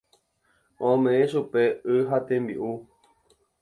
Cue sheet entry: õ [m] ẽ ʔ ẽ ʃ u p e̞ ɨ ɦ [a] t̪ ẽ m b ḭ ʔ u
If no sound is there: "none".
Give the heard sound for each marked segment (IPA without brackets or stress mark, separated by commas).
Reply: m, a